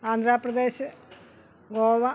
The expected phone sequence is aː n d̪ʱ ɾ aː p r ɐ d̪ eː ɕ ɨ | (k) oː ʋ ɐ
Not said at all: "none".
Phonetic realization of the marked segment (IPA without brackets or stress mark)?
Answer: ɡ